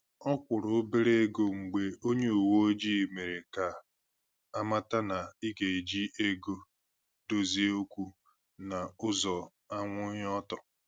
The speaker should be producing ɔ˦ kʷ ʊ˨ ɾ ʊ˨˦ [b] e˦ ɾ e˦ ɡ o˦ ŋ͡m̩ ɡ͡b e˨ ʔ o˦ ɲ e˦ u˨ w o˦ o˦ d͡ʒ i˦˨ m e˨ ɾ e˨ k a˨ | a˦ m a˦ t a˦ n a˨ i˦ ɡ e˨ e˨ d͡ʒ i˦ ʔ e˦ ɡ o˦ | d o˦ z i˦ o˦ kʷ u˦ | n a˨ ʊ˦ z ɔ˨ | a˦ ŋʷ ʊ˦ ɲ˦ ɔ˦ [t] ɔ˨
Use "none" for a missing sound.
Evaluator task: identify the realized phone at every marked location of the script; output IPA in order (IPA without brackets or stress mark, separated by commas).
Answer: b, t